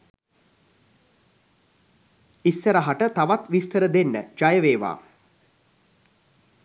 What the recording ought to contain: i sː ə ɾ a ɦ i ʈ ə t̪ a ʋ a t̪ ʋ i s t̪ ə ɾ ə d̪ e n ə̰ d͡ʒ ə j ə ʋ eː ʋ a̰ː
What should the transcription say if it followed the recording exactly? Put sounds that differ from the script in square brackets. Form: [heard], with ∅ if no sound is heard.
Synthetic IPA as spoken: i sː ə ɾ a ɦ [a] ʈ ə t̪ a ʋ a t̪ ʋ i s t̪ ə ɾ ə d̪ e [nː] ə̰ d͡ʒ [a] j ə ʋ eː ʋ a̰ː